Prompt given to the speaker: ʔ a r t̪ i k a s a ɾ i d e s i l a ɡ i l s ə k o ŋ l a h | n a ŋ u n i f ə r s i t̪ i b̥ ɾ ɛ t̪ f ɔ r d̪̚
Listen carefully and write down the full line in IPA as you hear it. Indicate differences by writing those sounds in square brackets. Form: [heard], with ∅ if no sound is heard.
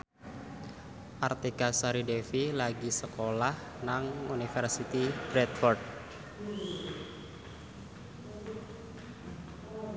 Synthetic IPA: ʔ a r t̪ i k a s a ɾ i d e [f] i l a ɡ i [∅] s ə k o [∅] l a h | n a ŋ u n i f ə r s i t̪ i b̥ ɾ ɛ t̪ f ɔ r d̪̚